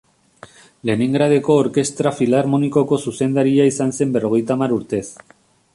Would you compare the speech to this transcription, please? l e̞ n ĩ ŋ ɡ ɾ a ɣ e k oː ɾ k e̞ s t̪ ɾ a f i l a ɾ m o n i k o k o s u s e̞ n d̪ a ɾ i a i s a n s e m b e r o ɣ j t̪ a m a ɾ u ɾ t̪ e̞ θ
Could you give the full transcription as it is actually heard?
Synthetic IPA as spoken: l e̞ n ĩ ŋ ɡ ɾ a ð e k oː ɾ k e̞ s t̪ ɾ a f i l a ɾ m o n i k o k o s u s e̞ n d̪ a ɾ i a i s a n s e m b e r o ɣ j t̪ a m a ɾ u ɾ t̪ e̞ θ